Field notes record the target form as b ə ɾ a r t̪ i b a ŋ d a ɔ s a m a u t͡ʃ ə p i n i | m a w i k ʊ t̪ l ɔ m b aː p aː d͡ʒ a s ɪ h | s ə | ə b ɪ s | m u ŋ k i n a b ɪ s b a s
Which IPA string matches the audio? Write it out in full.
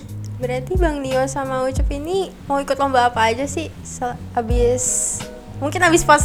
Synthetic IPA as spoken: b ə ɾ a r t̪ i b a ŋ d i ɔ s a m a u t͡ʃ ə p i n i | m a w i k ʊ t̪ l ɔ m b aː p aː d͡ʒ a s ɪ h | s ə | a b ɪ s | m u ŋ k ɪ n a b ɪ s p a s